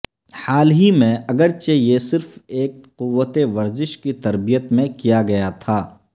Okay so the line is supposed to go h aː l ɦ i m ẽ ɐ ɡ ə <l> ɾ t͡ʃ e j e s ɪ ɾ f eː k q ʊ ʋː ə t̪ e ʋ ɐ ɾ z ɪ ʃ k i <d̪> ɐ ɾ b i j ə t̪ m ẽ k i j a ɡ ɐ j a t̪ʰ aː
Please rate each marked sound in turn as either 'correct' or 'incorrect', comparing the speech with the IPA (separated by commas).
incorrect, incorrect